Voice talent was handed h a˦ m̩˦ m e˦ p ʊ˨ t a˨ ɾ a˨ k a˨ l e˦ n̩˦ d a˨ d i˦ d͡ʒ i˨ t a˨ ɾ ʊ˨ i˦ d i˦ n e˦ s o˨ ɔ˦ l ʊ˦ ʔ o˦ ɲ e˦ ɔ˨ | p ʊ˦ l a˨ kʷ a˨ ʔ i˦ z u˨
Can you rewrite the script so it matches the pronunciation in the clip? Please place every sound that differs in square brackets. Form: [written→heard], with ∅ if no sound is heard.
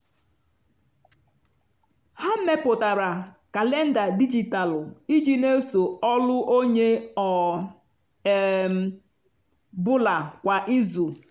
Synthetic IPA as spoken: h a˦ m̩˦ m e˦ p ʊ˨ t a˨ ɾ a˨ k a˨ l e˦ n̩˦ d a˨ d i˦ d͡ʒ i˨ t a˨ [ɾ→l] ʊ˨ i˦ [d→d͡ʒ] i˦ n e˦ s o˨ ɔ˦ l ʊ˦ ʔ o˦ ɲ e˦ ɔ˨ | [p→b] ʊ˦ l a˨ kʷ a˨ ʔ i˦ z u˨